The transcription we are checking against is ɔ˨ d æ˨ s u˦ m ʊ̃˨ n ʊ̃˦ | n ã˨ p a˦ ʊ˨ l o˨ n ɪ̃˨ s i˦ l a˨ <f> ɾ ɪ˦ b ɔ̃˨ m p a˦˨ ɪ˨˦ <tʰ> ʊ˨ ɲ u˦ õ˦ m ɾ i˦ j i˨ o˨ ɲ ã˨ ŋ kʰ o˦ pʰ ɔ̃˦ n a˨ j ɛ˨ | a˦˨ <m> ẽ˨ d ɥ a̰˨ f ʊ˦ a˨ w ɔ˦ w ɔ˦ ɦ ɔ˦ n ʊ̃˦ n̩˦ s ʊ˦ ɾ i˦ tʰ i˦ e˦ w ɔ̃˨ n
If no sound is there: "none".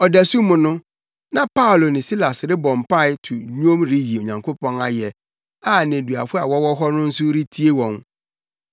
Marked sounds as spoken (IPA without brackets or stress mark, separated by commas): s, tʰ, n